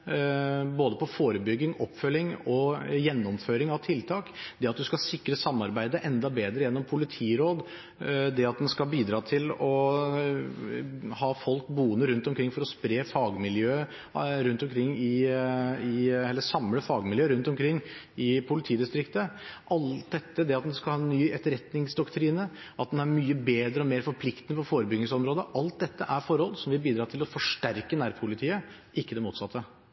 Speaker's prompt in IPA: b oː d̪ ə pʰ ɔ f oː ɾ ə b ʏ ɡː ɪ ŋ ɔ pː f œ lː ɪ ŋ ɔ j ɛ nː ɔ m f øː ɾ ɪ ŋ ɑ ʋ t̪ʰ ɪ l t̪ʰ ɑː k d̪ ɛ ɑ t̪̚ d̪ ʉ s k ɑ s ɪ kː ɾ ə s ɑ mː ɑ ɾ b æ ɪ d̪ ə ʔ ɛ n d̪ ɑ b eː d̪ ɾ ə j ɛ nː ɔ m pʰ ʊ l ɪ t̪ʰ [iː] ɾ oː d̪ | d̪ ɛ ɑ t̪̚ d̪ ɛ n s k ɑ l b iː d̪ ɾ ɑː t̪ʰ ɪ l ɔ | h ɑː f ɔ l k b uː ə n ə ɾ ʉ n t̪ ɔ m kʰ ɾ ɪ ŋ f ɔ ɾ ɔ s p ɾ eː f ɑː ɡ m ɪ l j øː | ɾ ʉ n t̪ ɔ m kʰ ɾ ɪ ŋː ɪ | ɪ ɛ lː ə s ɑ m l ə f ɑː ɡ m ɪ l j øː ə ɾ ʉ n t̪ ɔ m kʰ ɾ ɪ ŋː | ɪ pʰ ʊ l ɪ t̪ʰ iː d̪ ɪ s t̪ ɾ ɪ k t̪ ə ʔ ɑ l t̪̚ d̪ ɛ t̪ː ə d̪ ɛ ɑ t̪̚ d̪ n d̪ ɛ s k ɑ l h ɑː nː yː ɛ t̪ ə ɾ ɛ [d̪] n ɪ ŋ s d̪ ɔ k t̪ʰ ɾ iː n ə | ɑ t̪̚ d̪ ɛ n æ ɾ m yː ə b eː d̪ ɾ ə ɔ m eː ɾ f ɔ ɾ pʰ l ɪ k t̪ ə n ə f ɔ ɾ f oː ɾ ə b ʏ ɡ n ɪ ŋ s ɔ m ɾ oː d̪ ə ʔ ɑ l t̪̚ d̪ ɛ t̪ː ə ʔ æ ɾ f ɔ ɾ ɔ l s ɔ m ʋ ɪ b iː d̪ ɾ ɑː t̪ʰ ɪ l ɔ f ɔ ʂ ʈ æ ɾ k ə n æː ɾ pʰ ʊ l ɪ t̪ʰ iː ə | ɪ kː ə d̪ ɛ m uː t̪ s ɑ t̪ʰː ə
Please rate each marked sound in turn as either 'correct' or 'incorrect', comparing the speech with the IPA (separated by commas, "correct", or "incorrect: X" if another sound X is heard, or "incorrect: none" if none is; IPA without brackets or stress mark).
correct, incorrect: t̪